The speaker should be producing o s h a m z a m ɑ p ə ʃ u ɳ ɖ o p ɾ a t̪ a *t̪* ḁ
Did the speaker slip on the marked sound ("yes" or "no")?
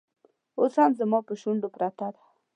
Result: yes